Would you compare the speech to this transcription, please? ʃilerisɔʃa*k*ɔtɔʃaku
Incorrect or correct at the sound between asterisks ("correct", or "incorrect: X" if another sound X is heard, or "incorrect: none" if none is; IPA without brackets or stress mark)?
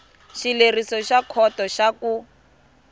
incorrect: kʰ